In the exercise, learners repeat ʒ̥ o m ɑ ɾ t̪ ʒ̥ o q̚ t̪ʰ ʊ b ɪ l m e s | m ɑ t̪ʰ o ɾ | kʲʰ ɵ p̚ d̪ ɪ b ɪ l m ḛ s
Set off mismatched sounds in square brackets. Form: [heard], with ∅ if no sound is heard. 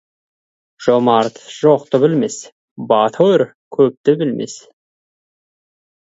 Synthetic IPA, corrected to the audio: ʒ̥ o m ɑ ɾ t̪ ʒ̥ o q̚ [t̪] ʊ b ɪ l m e s | [b] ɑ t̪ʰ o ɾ | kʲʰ ɵ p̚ [t̪] ɪ b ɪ l m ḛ s